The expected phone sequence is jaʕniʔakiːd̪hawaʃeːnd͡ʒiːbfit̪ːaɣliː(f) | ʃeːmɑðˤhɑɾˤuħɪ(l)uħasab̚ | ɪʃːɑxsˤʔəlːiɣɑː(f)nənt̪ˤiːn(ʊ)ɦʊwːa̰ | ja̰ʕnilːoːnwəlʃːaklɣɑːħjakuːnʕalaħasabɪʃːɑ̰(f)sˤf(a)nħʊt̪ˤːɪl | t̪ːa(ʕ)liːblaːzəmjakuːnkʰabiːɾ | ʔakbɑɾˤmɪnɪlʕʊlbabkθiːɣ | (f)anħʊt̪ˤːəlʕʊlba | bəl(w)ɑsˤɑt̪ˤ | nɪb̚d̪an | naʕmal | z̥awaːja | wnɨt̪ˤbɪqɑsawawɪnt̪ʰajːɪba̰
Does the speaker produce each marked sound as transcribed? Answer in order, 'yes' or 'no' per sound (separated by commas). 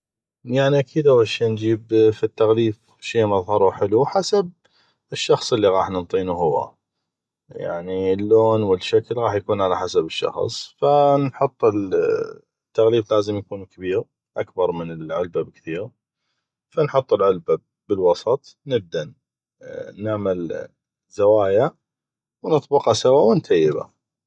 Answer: yes, yes, no, no, no, yes, no, yes, yes